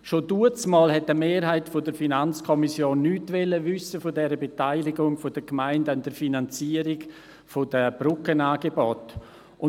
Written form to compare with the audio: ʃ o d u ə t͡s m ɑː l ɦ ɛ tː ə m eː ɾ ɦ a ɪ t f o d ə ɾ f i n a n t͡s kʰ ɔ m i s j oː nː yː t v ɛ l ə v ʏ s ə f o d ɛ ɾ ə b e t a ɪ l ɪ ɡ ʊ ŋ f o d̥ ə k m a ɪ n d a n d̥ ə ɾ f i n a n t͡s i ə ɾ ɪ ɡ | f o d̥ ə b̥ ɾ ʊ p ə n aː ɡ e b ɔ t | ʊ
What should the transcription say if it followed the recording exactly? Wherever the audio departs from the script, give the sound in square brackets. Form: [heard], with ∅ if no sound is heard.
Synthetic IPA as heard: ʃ o d u ə t͡s m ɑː l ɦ ɛ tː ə m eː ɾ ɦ a ɪ t f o d ə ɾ f i n a n t͡s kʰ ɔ m i s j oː nː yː t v ɛ l ə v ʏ s ə f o d ɛ ɾ ə b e t a ɪ l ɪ ɡ ʊ ŋ f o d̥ ə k m a ɪ n d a n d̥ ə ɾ f i n a n t͡s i ə ɾ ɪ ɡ | f o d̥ ə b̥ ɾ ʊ [k] ə n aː ɡ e b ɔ t | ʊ